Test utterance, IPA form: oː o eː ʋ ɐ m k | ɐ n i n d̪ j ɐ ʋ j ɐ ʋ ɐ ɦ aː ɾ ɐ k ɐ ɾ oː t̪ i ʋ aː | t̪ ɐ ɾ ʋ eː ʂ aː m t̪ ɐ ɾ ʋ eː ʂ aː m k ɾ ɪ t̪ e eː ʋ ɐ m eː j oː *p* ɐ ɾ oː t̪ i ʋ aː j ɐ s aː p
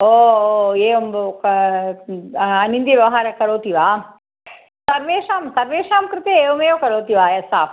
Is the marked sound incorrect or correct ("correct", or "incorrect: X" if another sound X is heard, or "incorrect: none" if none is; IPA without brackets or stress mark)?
incorrect: k